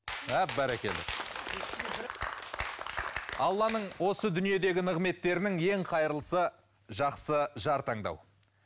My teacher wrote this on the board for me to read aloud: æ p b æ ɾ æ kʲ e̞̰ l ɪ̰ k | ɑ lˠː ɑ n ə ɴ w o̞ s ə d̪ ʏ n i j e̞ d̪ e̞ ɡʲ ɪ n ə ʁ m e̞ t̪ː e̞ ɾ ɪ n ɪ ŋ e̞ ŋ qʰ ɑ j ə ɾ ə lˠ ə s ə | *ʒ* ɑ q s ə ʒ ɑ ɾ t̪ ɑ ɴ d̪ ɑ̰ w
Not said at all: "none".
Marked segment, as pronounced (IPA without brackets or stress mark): ʒ